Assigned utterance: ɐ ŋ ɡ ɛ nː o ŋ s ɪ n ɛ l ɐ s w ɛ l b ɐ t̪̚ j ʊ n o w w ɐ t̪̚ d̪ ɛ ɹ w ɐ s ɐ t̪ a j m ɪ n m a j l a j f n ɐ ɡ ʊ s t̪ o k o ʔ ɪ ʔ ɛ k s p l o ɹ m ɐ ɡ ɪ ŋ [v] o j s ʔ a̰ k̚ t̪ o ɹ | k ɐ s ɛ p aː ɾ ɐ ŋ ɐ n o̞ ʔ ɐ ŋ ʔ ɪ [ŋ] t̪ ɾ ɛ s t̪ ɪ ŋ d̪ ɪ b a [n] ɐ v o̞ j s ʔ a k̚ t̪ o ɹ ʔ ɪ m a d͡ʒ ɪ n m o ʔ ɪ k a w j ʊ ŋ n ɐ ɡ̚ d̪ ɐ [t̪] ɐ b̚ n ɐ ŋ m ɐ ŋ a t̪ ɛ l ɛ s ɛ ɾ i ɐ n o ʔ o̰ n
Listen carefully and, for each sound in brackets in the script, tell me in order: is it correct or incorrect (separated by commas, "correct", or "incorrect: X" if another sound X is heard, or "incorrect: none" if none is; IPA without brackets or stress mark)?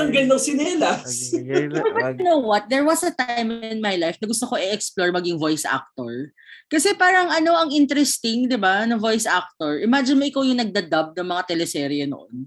correct, incorrect: n, correct, incorrect: d̪